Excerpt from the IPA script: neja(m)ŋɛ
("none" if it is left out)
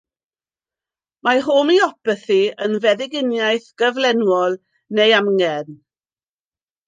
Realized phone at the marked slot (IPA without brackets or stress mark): m